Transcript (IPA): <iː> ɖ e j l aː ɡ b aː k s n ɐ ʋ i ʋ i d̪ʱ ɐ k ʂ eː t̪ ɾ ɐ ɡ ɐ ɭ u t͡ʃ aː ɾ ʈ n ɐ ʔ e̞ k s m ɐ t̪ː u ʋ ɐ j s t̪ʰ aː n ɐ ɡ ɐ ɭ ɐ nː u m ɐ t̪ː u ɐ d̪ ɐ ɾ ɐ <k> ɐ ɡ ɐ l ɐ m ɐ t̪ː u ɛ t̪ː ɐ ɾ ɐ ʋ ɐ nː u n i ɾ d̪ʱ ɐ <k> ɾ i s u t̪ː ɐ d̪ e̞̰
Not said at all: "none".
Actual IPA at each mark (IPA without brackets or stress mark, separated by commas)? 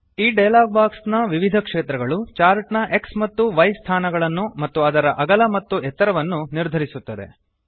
iː, ʔ, none